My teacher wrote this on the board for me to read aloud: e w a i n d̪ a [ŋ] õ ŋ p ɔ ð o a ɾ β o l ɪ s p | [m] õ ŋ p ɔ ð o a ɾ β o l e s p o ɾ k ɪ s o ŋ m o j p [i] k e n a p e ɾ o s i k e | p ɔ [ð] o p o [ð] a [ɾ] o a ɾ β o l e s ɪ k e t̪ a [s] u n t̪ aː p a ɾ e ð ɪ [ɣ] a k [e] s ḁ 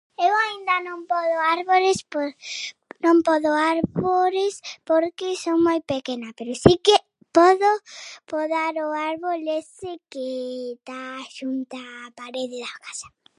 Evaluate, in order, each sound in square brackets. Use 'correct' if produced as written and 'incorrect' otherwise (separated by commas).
incorrect, incorrect, incorrect, correct, correct, correct, incorrect, incorrect, incorrect